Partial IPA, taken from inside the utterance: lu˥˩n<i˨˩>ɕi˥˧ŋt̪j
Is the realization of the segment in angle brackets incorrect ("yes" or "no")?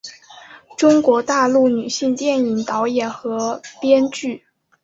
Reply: yes